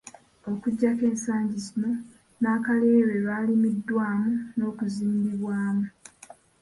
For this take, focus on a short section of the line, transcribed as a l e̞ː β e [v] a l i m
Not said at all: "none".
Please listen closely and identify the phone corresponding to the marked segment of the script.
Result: β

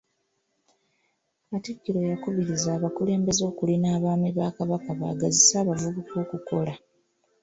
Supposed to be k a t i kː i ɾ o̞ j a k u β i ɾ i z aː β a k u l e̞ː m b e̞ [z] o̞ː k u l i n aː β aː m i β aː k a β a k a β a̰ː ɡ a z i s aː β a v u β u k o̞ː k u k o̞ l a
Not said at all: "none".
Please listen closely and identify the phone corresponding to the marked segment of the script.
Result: z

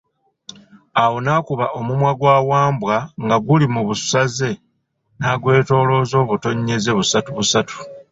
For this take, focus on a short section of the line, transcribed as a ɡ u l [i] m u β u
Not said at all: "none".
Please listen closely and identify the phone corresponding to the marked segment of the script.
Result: i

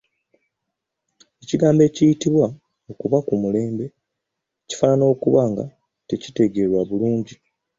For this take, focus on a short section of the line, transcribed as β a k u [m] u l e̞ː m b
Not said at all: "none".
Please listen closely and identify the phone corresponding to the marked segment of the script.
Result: m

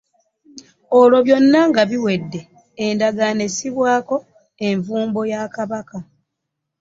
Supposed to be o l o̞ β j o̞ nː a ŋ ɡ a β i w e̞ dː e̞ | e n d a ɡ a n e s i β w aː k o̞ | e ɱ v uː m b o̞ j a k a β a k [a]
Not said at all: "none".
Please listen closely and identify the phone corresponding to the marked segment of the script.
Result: a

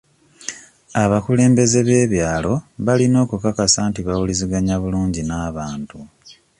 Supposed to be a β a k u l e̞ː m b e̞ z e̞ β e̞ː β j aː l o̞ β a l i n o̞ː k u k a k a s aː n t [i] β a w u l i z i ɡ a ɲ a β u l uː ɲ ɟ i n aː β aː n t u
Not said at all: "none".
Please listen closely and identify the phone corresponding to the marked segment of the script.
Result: i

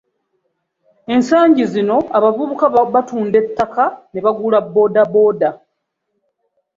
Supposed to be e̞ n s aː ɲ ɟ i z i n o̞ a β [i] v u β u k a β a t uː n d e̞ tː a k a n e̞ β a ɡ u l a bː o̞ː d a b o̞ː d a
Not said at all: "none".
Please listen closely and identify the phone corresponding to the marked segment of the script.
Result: a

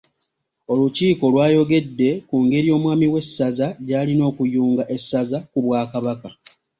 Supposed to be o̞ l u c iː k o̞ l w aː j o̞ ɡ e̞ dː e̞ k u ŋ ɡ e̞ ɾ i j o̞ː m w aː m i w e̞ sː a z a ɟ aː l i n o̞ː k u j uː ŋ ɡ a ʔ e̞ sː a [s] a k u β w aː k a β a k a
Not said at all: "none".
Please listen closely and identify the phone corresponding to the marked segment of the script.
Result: z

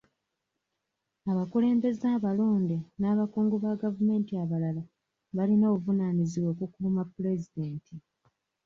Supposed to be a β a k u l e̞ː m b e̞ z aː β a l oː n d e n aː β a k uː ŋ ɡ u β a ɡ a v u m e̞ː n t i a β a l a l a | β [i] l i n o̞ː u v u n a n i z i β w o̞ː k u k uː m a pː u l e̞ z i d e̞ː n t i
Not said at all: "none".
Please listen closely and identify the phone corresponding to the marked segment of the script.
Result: a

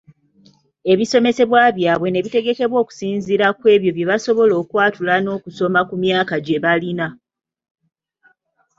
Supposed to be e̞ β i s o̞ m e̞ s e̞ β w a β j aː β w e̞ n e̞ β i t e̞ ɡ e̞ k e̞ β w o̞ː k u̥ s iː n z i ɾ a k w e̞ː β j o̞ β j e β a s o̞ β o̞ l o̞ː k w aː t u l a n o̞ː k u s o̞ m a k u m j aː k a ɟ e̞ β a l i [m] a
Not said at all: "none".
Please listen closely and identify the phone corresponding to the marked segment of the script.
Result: n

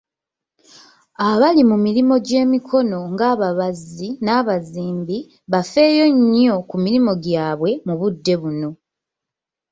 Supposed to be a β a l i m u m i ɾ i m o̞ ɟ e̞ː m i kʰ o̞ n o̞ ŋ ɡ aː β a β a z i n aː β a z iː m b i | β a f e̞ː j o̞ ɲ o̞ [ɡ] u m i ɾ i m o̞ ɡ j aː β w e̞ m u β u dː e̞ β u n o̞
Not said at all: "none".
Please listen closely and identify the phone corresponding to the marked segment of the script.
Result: k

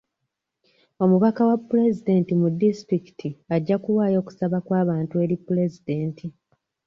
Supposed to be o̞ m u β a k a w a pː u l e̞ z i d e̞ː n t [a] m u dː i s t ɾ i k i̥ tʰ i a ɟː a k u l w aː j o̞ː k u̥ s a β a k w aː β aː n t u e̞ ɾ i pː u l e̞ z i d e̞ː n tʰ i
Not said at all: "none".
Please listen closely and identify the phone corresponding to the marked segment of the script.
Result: i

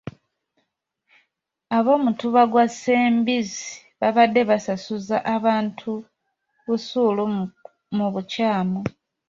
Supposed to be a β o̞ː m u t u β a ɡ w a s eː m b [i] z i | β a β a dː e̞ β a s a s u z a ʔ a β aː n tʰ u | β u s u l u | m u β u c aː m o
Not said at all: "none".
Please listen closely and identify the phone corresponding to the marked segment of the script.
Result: i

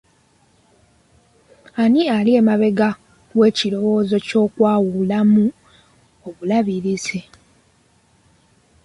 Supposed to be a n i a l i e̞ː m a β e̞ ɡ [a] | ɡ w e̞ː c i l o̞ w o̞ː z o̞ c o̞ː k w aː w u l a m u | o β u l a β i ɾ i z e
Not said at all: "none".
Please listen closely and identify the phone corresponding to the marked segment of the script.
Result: a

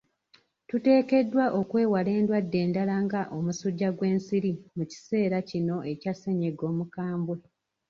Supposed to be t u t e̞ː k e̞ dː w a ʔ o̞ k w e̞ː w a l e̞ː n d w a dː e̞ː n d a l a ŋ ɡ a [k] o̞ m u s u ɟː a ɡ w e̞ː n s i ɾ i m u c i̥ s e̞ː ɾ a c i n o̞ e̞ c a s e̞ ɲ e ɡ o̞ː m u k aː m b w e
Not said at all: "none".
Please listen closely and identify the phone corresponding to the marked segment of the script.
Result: ʔ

